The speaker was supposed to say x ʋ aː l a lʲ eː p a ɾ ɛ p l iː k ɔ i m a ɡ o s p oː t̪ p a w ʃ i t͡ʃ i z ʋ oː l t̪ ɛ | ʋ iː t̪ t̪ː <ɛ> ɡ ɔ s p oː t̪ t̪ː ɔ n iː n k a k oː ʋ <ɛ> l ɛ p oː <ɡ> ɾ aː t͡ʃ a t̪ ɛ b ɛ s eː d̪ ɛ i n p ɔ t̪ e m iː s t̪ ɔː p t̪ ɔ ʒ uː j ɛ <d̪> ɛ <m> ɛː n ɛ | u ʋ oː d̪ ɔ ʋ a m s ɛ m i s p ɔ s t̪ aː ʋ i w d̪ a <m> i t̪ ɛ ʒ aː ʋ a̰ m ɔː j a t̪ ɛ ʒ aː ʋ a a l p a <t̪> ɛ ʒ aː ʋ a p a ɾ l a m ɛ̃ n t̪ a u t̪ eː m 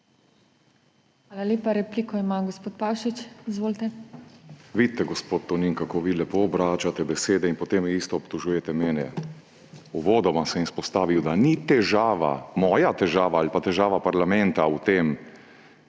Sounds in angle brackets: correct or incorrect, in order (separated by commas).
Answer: correct, incorrect, incorrect, incorrect, correct, incorrect, correct